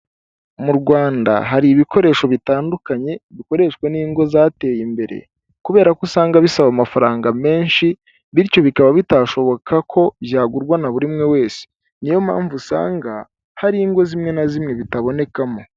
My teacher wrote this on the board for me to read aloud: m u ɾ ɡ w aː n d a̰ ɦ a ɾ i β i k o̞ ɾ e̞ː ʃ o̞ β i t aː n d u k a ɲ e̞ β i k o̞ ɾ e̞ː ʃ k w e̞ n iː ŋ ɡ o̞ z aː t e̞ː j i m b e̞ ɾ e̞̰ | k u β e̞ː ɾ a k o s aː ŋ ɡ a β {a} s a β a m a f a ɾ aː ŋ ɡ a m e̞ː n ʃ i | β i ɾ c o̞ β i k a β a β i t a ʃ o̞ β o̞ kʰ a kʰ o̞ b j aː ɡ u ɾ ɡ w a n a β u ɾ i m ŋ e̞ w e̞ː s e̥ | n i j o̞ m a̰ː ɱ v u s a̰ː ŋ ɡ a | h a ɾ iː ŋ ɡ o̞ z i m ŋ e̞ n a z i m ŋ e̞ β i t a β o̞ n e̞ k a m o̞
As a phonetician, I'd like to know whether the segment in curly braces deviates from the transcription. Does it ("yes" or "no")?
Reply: yes